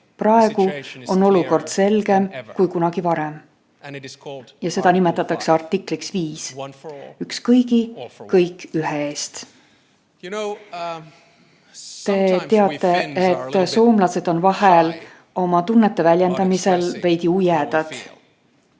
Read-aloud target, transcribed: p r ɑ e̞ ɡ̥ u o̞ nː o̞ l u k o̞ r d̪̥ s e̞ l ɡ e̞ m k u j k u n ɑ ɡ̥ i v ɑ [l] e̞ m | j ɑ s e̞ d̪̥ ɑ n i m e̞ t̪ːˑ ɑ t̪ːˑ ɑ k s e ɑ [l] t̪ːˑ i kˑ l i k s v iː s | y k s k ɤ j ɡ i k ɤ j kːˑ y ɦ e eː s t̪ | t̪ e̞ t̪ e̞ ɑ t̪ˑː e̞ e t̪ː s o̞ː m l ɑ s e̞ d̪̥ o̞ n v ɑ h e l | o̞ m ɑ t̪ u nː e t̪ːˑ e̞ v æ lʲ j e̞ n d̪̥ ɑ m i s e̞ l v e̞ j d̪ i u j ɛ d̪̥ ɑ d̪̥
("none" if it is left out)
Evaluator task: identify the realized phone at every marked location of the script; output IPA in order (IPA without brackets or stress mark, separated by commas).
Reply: ɾ, r